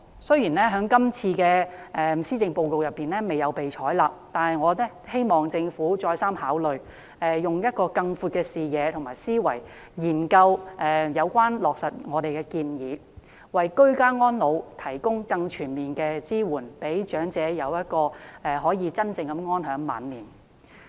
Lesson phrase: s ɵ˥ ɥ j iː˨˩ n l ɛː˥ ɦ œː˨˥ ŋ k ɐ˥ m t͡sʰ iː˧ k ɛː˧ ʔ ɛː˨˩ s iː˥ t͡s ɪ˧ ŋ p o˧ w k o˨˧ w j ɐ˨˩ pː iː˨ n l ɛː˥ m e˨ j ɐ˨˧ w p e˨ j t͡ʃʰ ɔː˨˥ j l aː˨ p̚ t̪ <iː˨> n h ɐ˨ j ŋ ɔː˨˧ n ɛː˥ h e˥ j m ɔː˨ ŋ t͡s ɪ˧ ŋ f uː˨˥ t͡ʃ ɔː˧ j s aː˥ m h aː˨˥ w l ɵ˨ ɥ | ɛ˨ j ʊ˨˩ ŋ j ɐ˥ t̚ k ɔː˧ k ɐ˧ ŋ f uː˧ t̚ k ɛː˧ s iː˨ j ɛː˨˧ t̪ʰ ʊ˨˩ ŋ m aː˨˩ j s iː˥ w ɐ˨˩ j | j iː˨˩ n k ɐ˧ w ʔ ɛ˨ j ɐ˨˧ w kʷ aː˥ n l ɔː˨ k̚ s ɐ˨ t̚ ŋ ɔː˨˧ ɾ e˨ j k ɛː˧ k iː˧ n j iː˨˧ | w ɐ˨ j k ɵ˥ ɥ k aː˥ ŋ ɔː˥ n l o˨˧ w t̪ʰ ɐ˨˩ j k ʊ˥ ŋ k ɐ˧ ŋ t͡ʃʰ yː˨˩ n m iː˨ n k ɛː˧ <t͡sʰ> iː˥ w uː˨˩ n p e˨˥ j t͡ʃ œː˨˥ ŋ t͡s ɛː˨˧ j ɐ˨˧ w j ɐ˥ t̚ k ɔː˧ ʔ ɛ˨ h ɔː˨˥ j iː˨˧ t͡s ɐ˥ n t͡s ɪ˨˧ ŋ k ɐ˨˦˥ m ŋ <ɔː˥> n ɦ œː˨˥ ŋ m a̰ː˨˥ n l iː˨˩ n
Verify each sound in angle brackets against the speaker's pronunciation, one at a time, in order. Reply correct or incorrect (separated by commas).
incorrect, incorrect, correct